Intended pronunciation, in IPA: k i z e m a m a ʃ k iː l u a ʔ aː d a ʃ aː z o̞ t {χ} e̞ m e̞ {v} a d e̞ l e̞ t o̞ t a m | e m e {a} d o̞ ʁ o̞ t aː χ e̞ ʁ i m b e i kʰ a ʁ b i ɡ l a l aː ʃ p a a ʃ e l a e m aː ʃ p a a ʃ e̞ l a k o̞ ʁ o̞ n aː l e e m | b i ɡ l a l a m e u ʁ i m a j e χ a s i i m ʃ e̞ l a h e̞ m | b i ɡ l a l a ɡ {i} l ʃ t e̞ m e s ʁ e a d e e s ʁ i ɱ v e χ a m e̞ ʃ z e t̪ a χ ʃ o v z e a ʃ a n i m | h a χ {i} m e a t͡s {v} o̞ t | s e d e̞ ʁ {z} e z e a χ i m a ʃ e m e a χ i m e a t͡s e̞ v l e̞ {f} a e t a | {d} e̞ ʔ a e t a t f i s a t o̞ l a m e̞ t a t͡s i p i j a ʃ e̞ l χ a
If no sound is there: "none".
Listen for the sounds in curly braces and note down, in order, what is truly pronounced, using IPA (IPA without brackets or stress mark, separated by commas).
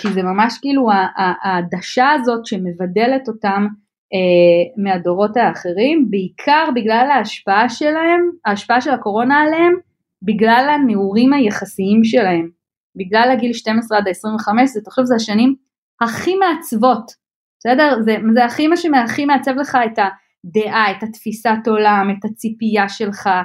ʃ, v, a, i, i, v, z, χ, d